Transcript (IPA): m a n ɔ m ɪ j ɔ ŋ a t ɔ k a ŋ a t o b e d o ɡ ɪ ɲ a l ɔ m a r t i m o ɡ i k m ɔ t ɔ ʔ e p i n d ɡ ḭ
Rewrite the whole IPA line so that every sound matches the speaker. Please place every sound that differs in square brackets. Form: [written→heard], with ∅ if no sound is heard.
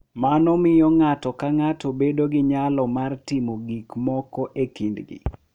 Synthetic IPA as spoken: m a n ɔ m ɪ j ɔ ŋ a t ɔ k a ŋ a t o b e d o ɡ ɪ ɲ a l ɔ m a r t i m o ɡ i k m ɔ [t→k] ɔ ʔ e [p→k] i n d ɡ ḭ